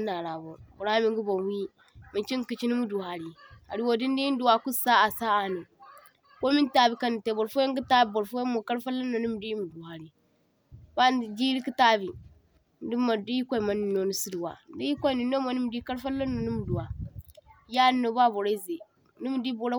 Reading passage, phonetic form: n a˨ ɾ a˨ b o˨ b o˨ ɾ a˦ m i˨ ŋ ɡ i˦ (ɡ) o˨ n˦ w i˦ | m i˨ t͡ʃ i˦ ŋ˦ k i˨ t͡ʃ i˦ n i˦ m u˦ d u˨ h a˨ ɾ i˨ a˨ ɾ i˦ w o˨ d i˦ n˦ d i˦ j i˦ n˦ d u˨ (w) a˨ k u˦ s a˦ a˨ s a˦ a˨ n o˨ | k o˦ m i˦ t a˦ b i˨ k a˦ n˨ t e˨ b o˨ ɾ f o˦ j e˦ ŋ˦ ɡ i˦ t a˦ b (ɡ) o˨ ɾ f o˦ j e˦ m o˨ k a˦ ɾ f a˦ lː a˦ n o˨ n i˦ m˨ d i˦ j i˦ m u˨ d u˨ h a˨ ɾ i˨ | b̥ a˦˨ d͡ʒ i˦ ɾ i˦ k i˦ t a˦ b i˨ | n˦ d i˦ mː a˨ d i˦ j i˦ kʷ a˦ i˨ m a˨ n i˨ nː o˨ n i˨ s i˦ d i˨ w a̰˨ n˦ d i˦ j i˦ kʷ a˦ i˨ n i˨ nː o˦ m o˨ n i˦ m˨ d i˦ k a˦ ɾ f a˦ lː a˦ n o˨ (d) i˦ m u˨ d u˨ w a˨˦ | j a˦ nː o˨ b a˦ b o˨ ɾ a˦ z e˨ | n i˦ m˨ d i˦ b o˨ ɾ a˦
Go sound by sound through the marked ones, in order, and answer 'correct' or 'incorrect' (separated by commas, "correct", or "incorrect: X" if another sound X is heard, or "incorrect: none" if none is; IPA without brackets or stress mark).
incorrect: b, correct, incorrect: b, incorrect: n